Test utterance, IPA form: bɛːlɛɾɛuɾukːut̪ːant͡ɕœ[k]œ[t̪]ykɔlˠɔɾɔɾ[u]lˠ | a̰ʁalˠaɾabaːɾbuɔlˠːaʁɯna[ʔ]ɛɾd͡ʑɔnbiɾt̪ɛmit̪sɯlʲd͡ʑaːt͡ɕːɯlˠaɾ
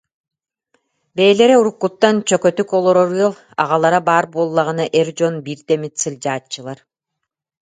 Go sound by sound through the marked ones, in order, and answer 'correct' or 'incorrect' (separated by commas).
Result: correct, correct, incorrect, correct